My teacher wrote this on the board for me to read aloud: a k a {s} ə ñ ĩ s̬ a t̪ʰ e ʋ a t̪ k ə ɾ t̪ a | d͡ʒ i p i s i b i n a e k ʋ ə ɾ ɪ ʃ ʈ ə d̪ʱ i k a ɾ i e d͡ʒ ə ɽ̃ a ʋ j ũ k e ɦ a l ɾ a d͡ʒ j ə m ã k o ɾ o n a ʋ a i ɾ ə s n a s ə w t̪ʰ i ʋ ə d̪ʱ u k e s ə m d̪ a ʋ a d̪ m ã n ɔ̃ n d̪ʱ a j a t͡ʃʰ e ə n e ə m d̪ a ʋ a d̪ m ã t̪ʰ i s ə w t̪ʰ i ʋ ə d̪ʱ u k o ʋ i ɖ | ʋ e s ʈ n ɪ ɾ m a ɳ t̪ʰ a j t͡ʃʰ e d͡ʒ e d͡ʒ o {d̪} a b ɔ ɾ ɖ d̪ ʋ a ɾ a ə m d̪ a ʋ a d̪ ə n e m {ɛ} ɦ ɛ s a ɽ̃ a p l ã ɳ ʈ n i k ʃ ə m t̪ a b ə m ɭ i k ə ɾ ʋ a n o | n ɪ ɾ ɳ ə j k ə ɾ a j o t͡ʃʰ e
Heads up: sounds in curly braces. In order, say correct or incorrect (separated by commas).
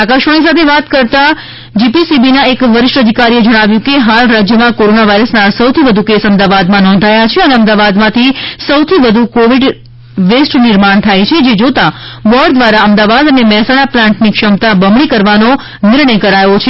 incorrect, incorrect, correct